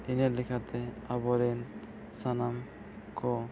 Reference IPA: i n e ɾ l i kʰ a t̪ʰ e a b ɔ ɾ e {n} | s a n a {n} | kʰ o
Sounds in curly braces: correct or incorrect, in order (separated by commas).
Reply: correct, incorrect